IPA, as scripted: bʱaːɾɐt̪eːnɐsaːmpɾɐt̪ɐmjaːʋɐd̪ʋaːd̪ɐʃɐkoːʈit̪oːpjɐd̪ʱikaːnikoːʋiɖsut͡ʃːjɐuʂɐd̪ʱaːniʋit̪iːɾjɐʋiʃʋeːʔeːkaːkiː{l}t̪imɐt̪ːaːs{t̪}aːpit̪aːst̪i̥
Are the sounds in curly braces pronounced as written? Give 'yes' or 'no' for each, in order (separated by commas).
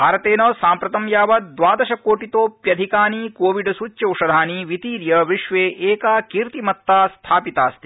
no, no